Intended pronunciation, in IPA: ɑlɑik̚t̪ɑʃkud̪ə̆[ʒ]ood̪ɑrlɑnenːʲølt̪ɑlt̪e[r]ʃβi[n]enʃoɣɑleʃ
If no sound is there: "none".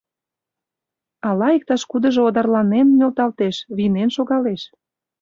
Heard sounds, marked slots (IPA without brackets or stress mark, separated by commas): ʒ, none, n